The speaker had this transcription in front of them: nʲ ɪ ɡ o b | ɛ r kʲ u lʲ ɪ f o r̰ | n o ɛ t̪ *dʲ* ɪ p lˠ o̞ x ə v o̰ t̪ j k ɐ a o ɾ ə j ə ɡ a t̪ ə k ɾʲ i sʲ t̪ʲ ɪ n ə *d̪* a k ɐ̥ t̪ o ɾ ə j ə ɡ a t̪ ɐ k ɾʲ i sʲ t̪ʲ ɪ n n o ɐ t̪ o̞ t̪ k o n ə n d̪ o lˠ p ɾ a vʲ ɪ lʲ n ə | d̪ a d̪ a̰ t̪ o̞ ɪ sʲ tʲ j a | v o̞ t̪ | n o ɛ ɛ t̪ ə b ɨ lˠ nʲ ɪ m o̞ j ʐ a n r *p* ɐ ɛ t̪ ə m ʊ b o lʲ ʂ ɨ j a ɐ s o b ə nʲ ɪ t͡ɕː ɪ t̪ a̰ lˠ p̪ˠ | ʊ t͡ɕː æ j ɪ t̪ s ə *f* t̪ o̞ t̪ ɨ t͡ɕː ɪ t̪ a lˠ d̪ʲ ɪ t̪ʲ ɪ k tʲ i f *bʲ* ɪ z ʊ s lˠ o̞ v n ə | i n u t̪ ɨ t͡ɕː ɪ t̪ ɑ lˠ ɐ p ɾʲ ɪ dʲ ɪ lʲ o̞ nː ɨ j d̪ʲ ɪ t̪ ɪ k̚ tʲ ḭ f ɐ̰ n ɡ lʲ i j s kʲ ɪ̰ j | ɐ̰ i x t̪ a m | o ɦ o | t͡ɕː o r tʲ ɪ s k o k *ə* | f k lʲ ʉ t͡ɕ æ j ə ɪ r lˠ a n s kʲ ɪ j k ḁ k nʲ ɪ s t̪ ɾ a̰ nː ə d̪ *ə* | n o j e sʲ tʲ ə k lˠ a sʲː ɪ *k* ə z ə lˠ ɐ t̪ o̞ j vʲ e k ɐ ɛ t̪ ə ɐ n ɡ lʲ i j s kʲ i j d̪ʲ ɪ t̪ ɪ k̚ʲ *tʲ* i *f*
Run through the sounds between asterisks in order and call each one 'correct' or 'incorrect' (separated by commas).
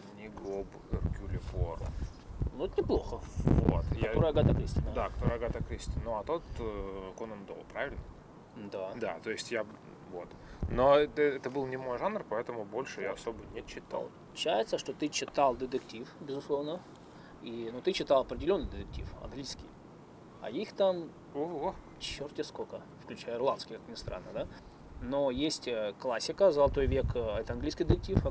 incorrect, correct, correct, incorrect, correct, correct, incorrect, correct, correct, correct